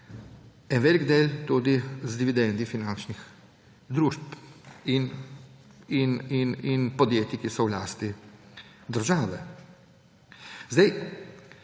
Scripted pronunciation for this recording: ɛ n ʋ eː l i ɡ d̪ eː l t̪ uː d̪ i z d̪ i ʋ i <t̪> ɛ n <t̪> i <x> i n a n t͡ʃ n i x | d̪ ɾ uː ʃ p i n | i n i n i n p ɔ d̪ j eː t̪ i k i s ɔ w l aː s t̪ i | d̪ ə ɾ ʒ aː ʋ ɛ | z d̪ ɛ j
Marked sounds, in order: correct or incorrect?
incorrect: d̪, incorrect: d̪, incorrect: f

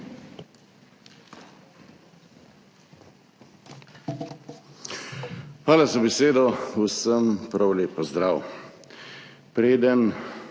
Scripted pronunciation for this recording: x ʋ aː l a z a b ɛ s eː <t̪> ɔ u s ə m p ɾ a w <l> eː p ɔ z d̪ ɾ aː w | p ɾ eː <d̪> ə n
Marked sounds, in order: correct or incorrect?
incorrect: d̪, correct, correct

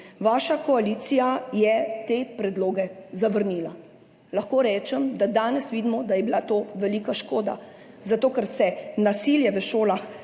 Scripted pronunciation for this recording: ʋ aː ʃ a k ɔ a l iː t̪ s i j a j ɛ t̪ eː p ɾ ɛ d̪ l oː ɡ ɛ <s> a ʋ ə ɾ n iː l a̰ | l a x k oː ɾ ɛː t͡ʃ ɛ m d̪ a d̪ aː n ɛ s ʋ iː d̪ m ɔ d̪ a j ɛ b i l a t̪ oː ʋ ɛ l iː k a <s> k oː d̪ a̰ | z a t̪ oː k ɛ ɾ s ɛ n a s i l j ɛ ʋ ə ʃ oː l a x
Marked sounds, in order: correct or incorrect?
incorrect: z, incorrect: ʃ

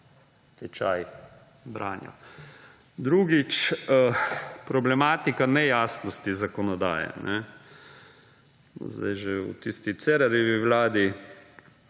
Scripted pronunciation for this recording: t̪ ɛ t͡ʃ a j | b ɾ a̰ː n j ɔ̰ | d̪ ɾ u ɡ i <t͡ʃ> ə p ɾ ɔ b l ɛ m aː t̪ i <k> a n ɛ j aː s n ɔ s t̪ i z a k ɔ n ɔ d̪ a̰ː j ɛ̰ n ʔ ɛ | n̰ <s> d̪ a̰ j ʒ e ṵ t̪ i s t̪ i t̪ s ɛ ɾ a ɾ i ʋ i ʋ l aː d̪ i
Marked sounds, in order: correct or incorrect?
correct, correct, incorrect: z

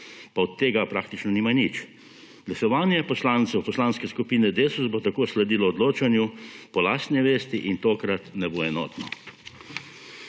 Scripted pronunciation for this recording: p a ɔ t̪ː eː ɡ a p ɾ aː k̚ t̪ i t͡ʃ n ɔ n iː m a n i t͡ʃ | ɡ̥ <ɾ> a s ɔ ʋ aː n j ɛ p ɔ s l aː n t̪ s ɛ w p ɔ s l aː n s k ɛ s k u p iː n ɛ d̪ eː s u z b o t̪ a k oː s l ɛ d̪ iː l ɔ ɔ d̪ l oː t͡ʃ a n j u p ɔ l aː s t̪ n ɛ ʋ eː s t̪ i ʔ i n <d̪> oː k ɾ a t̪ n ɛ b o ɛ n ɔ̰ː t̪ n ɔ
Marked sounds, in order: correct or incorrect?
incorrect: l, incorrect: t̪

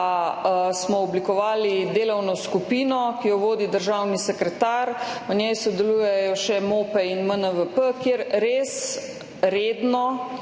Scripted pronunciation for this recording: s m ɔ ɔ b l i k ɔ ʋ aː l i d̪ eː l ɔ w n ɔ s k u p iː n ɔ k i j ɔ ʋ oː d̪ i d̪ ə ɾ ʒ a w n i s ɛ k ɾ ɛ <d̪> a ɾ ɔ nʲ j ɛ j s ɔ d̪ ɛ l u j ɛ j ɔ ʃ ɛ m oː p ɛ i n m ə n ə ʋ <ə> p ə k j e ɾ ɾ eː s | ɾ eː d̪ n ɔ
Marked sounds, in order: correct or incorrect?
incorrect: t̪, correct

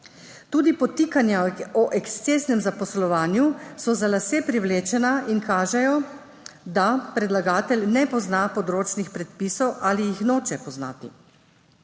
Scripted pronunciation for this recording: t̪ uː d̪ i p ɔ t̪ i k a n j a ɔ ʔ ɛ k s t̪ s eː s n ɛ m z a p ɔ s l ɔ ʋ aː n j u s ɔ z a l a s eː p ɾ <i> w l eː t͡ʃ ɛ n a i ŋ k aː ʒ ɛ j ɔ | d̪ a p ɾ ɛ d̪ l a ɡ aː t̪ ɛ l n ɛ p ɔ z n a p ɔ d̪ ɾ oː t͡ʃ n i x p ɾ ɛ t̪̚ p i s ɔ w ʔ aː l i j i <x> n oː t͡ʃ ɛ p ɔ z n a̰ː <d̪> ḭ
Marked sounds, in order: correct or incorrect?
correct, correct, incorrect: t̪

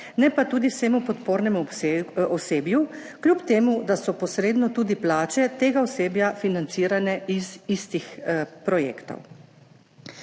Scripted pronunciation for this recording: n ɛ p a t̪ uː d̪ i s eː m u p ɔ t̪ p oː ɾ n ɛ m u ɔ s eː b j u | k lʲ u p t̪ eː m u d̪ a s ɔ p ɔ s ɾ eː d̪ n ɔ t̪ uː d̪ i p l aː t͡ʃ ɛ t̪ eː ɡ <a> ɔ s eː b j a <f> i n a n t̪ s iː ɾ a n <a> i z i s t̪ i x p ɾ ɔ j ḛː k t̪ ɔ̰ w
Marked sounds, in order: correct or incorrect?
correct, correct, incorrect: ɛ

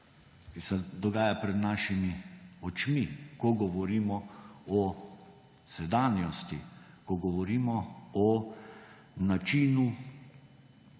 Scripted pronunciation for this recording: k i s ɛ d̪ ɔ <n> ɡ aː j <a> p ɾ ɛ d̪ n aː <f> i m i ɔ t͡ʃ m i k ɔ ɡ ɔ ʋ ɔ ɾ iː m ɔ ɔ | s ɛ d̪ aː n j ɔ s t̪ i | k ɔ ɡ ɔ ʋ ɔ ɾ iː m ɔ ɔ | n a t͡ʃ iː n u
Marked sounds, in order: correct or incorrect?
incorrect: none, correct, incorrect: ʃ

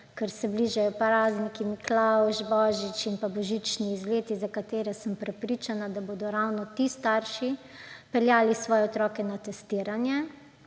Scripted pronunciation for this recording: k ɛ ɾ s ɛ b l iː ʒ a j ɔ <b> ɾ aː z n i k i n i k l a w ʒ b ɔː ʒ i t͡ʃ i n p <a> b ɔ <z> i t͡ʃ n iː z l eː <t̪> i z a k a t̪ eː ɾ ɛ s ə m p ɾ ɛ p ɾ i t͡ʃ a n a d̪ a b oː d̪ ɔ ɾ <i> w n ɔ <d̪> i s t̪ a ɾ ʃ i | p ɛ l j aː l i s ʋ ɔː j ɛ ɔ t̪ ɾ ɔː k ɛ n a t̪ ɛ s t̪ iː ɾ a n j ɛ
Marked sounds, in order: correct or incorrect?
incorrect: p, correct, incorrect: ʒ, correct, incorrect: a, incorrect: t̪

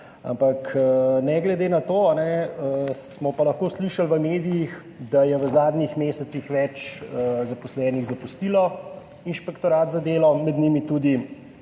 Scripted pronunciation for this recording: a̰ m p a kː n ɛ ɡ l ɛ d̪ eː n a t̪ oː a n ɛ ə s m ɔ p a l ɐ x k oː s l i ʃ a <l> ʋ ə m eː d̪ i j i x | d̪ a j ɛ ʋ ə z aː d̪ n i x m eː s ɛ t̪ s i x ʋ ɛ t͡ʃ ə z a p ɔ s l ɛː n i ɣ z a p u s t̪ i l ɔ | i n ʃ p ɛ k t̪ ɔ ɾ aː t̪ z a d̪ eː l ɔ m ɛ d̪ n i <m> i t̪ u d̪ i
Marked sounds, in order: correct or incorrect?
correct, correct

